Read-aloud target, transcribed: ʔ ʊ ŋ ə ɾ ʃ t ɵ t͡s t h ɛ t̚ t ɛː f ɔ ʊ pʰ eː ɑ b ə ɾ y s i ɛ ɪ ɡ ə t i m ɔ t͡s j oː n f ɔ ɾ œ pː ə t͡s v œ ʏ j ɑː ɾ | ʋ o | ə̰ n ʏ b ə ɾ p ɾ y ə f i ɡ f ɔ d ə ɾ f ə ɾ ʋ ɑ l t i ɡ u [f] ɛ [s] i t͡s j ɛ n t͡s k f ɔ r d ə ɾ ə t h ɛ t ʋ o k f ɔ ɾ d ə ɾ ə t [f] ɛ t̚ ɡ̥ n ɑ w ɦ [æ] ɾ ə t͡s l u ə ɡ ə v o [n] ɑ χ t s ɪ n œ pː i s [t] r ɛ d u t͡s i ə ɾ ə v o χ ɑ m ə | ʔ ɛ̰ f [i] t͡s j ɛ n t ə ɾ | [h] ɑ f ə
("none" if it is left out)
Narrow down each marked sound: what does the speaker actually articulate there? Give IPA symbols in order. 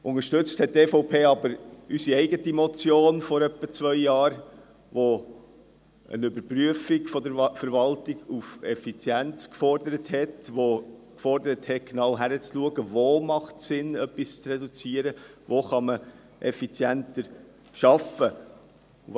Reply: f, f, h, æ, m, t͡s, i, ʃ

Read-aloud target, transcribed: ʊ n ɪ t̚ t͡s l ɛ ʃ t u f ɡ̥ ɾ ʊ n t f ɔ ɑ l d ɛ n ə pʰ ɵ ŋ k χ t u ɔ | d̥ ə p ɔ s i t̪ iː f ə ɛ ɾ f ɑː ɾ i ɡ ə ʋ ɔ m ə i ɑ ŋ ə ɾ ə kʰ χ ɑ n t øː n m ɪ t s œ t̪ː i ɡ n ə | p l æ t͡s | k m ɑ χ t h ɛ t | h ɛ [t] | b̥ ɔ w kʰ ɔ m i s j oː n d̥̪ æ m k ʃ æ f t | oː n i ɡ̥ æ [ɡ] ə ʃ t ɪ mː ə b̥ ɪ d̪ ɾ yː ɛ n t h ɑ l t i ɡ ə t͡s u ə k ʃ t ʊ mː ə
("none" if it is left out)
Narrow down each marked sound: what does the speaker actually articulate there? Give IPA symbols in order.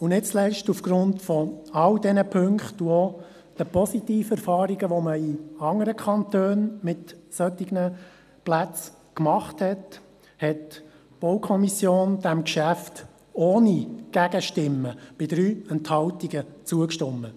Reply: t, ɡ

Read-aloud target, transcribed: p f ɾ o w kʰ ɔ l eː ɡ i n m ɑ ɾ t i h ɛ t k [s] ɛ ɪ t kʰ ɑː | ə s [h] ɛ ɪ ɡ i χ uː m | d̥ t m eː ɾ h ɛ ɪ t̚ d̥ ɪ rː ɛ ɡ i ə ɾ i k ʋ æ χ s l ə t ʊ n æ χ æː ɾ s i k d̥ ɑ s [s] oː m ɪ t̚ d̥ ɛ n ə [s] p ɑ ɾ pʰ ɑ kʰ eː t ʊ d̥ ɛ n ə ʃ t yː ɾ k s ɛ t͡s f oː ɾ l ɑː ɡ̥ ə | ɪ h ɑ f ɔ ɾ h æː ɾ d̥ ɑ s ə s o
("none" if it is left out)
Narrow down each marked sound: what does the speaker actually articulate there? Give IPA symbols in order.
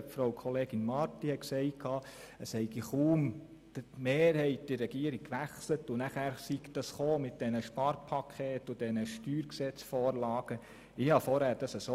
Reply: s, h, χ, ʃ

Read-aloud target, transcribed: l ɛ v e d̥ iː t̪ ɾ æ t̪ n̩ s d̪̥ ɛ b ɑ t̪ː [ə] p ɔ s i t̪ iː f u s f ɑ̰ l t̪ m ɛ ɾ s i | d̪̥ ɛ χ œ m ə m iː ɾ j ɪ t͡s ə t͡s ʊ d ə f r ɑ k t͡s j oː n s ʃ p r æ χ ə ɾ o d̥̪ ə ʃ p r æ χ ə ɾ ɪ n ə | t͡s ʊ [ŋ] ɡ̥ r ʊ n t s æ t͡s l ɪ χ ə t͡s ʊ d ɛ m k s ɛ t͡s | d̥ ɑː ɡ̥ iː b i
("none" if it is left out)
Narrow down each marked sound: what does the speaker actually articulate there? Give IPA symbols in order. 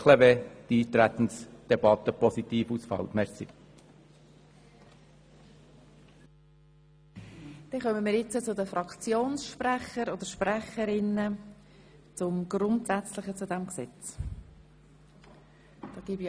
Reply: ə, m

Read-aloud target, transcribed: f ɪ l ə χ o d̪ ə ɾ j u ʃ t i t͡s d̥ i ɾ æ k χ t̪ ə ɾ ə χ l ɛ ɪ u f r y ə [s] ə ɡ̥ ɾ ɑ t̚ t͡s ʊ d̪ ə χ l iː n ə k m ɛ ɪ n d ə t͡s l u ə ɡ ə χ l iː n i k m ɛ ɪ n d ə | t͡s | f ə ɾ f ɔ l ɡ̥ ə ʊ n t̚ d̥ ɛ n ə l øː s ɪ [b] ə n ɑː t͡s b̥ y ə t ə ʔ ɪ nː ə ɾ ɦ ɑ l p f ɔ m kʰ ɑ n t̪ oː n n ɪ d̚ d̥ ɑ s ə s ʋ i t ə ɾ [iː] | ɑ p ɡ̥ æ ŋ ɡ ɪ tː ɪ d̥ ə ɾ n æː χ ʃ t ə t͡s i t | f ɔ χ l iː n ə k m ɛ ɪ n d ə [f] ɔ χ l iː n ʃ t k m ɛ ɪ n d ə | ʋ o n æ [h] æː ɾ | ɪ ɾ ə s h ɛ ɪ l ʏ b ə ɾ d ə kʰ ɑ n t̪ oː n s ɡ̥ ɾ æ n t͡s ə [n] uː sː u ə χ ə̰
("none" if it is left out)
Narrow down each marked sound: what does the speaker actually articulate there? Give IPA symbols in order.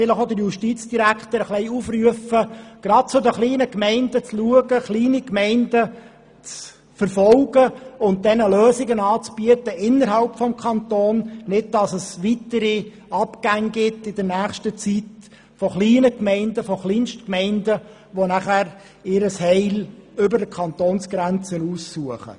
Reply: f, ɡ, i, f, χ, n

